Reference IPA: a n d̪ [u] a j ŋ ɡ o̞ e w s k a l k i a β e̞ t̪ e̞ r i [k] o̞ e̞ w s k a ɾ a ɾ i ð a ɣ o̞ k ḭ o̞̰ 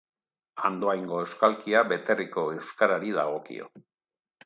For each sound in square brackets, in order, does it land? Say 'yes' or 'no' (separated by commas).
no, yes